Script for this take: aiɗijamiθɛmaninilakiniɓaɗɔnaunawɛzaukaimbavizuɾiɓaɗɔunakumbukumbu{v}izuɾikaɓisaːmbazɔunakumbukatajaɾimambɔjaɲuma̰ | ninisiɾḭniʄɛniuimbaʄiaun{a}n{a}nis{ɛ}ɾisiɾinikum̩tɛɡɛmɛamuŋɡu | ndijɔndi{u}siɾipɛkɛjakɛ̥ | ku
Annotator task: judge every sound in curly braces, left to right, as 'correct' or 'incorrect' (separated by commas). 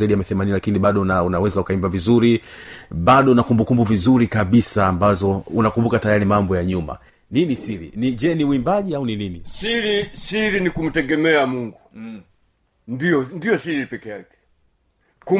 correct, incorrect, incorrect, incorrect, incorrect